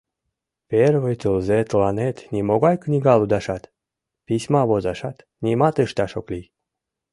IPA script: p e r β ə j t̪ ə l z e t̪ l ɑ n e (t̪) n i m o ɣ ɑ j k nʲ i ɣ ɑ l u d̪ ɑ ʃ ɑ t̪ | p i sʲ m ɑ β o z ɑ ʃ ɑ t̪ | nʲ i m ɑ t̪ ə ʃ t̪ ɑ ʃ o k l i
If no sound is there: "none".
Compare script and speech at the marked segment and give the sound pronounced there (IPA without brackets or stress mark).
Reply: t̪